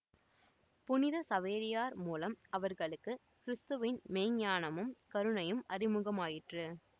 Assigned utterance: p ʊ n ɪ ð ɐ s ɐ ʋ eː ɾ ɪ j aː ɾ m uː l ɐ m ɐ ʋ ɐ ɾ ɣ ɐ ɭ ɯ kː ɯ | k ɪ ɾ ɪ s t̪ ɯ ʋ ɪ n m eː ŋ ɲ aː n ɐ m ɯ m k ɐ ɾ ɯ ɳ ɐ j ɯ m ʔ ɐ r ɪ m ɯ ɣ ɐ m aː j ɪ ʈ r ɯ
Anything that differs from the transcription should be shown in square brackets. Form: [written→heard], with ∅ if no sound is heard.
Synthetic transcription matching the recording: p ʊ n ɪ ð ɐ s ɐ ʋ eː ɾ ɪ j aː ɾ m uː l ɐ m ɐ ʋ ɐ ɾ ɣ ɐ ɭ ɯ kː ɯ | k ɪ ɾ ɪ s t̪ ɯ ʋ ɪ n m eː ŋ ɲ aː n ɐ m ɯ m k ɐ ɾ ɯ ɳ ɐ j ɯ m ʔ ɐ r ɪ m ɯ ɣ ɐ m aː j ɪ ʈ r ɯ